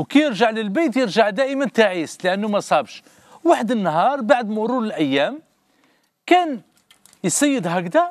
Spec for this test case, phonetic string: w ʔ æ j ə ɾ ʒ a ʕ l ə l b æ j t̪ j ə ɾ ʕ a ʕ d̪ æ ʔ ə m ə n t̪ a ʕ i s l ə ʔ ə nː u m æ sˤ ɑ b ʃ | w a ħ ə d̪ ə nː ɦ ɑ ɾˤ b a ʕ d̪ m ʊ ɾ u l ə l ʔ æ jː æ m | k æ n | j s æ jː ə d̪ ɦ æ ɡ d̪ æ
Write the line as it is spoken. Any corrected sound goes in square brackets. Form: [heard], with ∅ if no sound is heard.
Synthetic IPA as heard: w [k] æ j ə ɾ ʒ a ʕ l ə l b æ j t̪ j ə ɾ [ʒ] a ʕ d̪ æ ʔ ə m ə n t̪ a ʕ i s l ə ʔ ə nː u m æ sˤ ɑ b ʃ | w a ħ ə d̪ ə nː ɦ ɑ ɾˤ b a ʕ d̪ m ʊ ɾ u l ə l ʔ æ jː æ m | k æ n | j s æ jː ə d̪ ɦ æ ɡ d̪ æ